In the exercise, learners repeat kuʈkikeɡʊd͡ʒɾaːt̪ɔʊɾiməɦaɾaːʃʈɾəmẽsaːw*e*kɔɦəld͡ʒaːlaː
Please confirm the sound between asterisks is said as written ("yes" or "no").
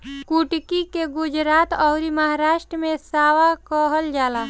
no